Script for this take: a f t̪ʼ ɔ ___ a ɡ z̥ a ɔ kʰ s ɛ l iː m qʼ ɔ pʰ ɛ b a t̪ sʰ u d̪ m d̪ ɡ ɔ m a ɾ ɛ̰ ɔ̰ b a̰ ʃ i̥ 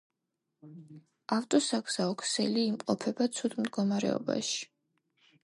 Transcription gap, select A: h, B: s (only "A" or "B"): B